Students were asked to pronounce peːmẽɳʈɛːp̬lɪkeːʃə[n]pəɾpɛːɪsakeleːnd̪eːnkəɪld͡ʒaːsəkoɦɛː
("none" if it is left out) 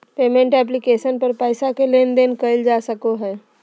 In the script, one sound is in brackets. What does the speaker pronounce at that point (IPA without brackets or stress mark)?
n